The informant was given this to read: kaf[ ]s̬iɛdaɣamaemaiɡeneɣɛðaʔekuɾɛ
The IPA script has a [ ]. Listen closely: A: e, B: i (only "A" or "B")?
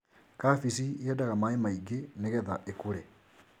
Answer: B